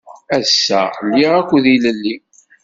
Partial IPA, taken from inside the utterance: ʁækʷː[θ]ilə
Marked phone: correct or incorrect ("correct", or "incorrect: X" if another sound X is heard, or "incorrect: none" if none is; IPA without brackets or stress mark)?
incorrect: ð